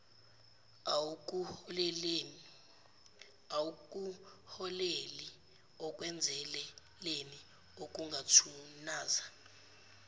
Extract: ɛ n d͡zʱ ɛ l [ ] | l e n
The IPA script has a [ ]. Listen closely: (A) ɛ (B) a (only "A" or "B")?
A